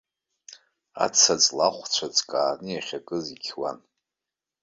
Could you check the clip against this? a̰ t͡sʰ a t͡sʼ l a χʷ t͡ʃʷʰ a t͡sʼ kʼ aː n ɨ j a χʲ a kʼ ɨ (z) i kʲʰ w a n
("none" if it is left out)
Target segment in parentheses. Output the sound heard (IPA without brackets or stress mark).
z